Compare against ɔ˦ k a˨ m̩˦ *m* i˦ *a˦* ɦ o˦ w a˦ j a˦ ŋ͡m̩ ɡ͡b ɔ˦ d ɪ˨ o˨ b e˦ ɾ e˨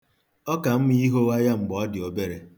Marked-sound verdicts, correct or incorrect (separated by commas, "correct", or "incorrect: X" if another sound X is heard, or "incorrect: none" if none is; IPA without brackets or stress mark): correct, incorrect: i˦